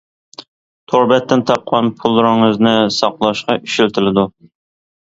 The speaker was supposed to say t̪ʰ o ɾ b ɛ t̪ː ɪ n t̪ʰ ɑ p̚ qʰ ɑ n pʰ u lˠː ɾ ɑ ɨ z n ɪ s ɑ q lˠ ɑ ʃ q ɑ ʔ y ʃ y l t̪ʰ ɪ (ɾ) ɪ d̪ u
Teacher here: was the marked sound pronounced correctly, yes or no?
no